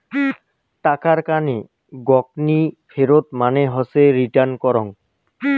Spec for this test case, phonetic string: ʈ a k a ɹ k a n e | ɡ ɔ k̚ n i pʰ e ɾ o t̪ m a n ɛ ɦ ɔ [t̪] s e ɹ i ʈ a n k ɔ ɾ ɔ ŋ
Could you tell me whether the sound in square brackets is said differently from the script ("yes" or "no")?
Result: yes